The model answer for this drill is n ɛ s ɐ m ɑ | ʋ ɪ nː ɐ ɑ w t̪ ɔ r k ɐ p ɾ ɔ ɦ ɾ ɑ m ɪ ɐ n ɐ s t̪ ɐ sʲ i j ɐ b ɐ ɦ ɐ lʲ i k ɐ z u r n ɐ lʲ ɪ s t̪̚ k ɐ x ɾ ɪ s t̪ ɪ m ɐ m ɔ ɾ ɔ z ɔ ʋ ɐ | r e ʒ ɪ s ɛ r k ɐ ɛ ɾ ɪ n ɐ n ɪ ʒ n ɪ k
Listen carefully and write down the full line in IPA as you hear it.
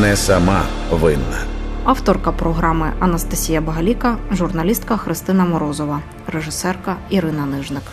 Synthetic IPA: n ɛ s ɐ m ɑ | ʋ ɪ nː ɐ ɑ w t̪ ɔ r k ɐ p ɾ ɔ ɦ ɾ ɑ m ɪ ɐ n ɐ s t̪ ɐ sʲ i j ɐ b ɐ ɦ ɐ lʲ i k ɐ ʒ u r n ɐ lʲ i s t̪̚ k ɐ x ɾ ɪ s t̪ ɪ n ɐ m ɔ ɾ ɔ z ɔ ʋ ɐ | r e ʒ ɪ s ɛ r k ɐ i ɾ ɪ n ɐ n ɪ ʒ n ɪ k